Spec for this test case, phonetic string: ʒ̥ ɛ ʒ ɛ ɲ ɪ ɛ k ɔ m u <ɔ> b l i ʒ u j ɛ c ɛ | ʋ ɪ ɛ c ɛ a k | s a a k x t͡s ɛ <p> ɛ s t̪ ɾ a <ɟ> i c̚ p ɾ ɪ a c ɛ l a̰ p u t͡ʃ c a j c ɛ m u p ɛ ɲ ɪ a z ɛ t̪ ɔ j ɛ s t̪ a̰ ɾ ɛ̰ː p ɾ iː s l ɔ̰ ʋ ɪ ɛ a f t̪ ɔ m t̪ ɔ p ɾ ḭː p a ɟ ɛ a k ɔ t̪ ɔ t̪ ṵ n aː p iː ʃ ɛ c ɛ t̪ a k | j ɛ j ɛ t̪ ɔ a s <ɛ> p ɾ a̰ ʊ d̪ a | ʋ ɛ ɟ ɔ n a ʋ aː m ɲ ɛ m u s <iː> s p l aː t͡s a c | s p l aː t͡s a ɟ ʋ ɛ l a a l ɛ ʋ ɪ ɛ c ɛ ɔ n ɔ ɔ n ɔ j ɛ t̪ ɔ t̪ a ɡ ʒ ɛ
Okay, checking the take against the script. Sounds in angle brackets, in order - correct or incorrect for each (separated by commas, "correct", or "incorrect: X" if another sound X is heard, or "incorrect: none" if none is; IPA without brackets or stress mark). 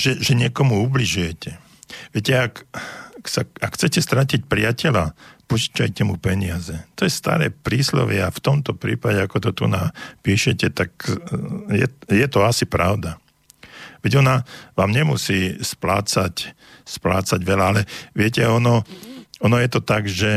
incorrect: u, incorrect: c, incorrect: c, incorrect: i, correct